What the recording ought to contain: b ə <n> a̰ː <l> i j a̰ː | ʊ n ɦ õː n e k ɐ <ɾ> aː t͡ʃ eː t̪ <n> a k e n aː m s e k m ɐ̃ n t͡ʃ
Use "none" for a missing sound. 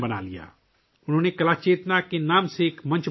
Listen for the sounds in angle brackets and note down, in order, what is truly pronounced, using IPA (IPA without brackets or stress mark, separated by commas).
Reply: n, l, l, n